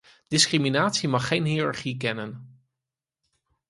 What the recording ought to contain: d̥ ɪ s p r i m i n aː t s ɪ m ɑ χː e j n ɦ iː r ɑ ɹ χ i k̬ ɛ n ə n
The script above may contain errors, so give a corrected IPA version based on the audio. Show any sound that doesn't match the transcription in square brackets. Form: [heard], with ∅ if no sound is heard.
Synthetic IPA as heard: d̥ ɪ s [k] r i m i n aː t s [i] m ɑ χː e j n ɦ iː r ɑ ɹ χ i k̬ ɛ n ə n